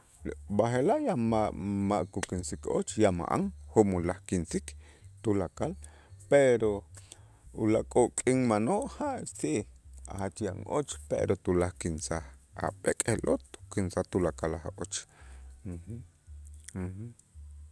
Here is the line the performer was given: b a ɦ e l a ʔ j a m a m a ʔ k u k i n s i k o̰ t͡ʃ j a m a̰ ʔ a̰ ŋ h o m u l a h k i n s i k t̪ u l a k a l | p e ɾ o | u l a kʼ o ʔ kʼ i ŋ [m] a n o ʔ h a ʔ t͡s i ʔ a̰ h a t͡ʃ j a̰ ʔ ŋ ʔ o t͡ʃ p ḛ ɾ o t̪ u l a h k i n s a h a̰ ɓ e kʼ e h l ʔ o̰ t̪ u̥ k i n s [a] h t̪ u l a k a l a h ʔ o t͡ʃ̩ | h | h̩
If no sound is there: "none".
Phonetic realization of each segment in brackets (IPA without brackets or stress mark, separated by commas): m, a